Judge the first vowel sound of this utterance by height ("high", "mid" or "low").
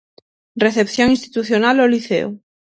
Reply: mid